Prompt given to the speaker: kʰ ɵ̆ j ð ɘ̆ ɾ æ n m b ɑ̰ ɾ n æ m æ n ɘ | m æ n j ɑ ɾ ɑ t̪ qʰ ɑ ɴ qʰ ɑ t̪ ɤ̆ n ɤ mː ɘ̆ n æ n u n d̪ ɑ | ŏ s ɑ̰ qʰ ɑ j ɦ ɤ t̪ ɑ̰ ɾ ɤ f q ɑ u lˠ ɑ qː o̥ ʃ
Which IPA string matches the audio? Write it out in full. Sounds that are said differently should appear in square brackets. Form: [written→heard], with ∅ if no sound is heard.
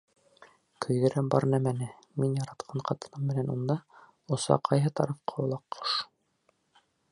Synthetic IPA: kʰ ɵ̆ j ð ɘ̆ ɾ æ [n→∅] m b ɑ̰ ɾ n æ m æ n ɘ | m [æ→i] n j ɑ ɾ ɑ t̪ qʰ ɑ ɴ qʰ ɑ t̪ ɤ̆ n ɤ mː ɘ̆ n æ n u n d̪ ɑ | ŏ s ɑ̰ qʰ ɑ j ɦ ɤ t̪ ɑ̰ ɾ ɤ f q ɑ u lˠ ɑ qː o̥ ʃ